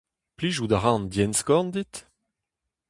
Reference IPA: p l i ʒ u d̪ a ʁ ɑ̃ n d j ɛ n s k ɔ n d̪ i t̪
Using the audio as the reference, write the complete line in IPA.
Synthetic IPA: p l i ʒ u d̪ a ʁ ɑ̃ n d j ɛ n s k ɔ n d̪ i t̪